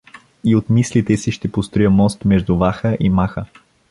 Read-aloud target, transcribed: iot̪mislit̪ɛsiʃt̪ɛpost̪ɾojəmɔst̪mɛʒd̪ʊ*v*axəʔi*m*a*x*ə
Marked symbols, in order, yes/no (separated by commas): yes, yes, yes